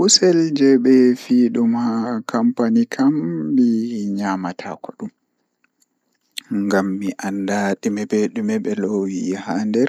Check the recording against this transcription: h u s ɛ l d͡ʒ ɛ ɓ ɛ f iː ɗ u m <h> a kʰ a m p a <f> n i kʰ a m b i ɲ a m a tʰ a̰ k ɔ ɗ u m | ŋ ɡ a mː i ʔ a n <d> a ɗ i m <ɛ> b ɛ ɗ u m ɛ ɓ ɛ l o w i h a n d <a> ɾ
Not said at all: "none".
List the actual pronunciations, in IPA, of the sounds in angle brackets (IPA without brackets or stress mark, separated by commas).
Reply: h, none, d, ɛ, ɛ